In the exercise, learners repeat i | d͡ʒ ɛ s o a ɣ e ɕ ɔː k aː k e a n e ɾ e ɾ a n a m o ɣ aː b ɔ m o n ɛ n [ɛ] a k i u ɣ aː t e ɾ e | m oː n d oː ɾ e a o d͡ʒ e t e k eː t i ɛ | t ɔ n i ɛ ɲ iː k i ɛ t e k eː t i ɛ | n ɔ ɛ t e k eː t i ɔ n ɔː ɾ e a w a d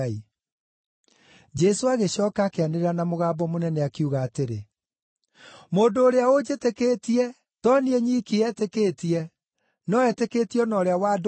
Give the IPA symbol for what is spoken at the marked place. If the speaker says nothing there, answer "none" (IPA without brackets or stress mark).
ɛ